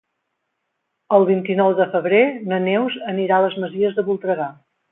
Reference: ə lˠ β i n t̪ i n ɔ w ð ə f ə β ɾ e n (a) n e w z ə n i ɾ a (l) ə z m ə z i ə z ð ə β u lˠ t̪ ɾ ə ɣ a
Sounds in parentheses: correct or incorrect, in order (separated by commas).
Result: incorrect, correct